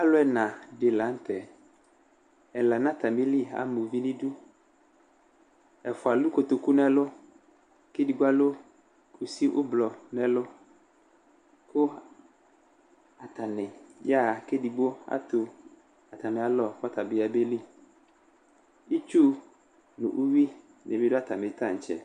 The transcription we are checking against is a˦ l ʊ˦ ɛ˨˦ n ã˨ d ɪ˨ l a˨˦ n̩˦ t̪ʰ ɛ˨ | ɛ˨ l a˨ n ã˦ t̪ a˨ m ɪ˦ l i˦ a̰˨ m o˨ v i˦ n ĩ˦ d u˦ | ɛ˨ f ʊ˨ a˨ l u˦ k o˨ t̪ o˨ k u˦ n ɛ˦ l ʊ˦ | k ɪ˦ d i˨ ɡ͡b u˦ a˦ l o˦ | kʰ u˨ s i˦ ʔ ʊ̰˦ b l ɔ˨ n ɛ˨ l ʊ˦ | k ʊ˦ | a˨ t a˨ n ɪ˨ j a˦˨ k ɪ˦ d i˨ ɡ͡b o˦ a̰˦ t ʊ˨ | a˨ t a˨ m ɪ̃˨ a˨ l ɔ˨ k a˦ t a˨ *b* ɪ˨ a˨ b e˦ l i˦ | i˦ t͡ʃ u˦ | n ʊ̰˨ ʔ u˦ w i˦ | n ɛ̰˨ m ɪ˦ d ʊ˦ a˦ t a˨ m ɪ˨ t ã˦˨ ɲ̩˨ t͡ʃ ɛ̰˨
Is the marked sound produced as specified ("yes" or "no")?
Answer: yes